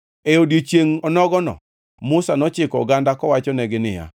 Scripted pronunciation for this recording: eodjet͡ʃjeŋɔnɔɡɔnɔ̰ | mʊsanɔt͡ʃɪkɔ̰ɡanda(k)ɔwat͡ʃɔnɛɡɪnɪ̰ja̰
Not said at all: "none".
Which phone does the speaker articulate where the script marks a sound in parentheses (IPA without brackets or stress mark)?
k